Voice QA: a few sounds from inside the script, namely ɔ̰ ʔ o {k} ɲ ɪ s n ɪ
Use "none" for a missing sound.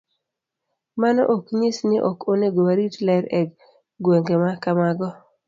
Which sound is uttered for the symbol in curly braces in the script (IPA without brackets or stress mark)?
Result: k